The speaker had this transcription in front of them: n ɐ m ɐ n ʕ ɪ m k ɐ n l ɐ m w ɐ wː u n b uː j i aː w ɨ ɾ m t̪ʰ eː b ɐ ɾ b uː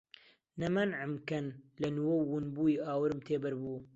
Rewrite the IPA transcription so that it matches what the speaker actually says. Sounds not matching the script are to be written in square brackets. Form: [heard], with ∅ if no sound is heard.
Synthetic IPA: n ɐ m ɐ n ʕ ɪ m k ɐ n l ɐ [n] w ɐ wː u n b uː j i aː w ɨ ɾ m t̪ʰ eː b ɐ ɾ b uː